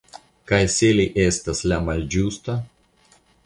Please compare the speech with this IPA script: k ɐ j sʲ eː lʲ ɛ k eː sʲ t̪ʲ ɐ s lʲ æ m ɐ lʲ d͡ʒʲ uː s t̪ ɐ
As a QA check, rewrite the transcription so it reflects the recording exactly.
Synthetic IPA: k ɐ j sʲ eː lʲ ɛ ʔ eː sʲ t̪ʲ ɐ s lʲ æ m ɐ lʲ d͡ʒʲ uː s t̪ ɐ